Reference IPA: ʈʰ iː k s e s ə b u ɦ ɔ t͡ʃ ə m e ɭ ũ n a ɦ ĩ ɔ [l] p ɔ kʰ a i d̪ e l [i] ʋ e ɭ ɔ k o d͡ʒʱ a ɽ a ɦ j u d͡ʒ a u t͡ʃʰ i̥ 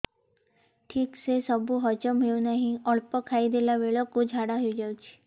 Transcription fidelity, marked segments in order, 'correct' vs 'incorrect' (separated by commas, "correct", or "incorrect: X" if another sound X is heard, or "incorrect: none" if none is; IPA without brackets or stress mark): incorrect: ɭ, incorrect: a